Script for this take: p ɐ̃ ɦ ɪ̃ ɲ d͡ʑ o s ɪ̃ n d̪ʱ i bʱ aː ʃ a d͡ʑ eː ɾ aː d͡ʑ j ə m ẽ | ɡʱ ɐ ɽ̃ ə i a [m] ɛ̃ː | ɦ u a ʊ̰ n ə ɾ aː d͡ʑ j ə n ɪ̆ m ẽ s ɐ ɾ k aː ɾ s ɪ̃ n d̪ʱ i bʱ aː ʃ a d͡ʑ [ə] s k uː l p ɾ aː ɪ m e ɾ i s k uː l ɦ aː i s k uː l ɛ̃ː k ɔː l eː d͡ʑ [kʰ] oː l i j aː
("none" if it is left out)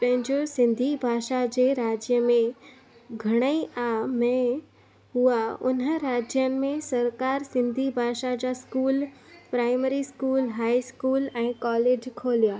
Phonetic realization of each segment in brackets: m, a, kʰ

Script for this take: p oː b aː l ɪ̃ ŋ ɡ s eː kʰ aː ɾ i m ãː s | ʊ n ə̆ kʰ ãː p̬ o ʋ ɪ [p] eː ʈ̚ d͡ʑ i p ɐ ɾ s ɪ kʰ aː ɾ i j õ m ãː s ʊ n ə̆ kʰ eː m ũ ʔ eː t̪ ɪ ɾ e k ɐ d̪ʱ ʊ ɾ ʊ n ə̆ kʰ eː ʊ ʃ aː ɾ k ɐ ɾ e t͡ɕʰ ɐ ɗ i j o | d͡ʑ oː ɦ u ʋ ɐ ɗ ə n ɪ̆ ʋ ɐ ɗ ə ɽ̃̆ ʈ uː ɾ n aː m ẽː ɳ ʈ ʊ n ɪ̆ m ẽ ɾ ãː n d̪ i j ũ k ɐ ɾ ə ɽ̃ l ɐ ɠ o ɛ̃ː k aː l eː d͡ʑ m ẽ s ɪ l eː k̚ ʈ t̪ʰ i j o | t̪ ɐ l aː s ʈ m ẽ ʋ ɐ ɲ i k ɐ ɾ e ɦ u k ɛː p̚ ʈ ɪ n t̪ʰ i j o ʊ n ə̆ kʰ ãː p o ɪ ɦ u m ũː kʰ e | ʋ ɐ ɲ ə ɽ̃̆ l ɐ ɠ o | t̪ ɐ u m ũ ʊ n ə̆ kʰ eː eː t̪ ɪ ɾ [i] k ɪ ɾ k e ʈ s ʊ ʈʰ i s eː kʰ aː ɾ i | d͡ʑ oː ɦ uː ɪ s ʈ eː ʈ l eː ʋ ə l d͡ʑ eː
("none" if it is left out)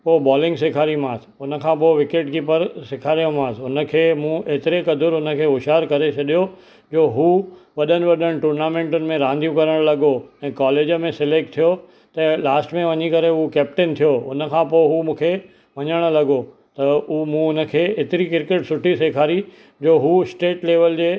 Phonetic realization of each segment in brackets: k, i

